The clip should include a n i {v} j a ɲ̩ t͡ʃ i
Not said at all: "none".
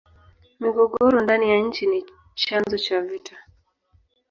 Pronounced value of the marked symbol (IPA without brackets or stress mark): none